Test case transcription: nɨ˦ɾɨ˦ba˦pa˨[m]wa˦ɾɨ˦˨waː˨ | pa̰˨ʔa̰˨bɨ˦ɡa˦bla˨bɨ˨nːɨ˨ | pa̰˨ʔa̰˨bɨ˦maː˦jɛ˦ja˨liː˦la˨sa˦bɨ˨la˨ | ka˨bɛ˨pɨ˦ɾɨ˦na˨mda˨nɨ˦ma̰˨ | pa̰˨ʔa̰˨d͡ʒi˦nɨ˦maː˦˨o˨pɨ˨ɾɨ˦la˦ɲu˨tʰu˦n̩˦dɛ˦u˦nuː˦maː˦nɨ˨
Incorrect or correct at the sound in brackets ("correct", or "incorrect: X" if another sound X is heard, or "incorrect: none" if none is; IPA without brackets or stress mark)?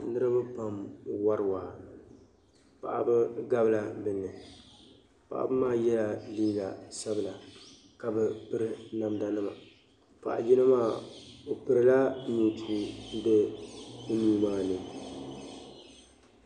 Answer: correct